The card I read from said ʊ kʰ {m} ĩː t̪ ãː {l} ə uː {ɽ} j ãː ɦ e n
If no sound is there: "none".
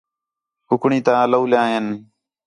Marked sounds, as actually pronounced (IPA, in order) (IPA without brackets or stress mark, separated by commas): ɳ, l, l